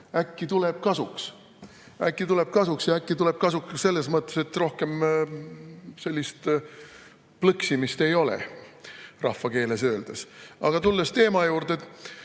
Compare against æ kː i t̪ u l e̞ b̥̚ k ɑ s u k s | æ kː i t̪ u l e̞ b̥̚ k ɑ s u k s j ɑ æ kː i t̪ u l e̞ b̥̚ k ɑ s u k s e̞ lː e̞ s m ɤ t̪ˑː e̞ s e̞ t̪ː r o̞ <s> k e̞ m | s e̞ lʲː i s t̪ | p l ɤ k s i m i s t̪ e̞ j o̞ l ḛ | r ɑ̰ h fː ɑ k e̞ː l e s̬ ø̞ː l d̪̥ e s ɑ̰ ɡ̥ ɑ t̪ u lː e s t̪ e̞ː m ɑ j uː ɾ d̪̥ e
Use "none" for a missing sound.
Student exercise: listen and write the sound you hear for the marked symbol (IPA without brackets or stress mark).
h